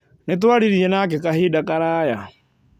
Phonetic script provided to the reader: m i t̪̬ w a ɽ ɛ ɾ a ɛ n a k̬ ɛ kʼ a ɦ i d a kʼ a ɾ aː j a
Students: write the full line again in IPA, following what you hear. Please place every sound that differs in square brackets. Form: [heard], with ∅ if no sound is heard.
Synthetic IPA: [n] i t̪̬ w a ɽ [i] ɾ [i] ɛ n a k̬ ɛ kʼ a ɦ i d a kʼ a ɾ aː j a